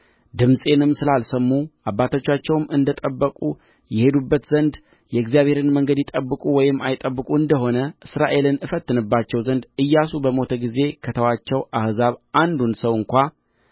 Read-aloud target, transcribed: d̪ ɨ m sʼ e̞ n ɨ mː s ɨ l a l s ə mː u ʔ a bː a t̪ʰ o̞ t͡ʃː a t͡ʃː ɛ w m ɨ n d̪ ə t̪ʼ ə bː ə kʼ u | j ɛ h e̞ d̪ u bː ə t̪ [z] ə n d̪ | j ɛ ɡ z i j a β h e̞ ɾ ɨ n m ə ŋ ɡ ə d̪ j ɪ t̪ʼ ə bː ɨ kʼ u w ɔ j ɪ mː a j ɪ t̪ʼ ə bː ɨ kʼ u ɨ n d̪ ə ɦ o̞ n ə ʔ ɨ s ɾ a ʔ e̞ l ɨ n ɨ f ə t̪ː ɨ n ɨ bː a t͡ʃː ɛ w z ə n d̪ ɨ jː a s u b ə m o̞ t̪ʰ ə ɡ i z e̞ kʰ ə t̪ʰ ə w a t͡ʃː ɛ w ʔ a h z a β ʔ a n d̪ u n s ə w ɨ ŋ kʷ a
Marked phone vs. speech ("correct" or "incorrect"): correct